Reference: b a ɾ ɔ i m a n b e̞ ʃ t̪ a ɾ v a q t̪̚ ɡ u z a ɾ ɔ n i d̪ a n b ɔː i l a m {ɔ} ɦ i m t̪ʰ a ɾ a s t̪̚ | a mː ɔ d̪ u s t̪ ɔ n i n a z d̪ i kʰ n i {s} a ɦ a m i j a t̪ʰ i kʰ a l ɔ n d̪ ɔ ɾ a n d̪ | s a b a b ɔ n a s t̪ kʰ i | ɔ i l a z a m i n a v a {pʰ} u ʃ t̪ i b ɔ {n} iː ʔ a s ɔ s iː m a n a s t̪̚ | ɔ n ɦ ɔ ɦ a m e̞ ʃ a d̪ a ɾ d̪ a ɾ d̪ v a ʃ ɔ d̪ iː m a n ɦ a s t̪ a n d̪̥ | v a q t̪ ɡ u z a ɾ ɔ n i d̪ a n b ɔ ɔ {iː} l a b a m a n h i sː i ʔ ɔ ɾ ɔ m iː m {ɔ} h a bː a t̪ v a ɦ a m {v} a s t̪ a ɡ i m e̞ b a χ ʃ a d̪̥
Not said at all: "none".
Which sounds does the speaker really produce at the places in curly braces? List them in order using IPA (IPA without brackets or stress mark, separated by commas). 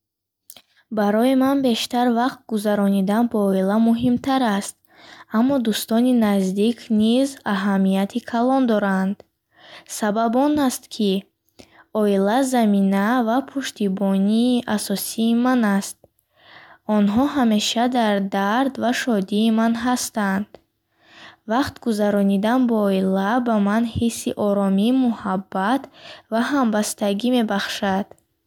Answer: u, z, pʰ, n, i, u, b